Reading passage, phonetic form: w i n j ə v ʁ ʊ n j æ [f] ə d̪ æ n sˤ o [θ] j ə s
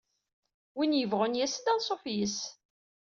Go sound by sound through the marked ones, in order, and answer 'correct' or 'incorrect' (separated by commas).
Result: incorrect, incorrect